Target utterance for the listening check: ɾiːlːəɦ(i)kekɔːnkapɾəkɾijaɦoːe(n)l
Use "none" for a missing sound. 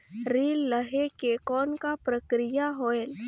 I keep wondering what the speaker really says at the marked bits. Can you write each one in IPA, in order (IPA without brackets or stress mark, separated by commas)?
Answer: e, none